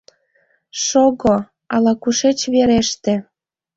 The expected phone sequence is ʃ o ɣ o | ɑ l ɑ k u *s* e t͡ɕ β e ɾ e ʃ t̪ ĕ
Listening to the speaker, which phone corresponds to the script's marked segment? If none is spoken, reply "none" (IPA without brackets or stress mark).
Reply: ʃ